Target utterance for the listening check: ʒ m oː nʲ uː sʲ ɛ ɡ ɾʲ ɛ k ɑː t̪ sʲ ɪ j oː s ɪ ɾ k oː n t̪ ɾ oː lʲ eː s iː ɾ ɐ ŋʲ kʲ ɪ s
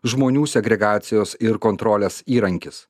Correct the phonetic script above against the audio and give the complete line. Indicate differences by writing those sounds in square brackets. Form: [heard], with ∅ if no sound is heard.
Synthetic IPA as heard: ʒ m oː nʲ uː sʲ ɛ ɡ ɾʲ ɛ [ɡ] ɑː t̪ sʲ ɪ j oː s ɪ ɾ k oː n t̪ ɾ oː lʲ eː s iː ɾ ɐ ŋʲ kʲ ɪ s